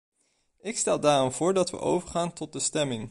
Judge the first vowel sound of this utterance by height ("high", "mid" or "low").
high